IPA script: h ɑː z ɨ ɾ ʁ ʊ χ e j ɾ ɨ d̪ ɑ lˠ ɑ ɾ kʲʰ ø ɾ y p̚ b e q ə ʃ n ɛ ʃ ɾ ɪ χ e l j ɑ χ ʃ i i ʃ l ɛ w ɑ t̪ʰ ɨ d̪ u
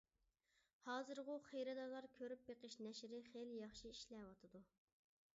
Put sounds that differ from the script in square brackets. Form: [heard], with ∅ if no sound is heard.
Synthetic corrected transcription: h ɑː z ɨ ɾ ʁ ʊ χ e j ɾ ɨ d̪ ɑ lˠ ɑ ɾ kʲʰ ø ɾ y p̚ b e q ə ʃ n ɛ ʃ ɾ ɪ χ e l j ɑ χ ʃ i i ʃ l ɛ w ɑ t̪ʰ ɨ d̪ u